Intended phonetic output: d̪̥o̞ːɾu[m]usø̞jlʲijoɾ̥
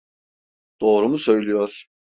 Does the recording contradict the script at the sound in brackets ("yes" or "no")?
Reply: no